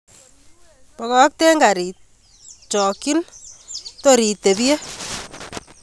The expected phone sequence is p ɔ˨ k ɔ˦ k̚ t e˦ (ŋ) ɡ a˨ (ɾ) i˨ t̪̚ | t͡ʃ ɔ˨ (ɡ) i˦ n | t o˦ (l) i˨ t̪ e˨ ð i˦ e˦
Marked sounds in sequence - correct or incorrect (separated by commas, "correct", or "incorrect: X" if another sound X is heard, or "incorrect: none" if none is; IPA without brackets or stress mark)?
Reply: correct, correct, incorrect: k, incorrect: ɾ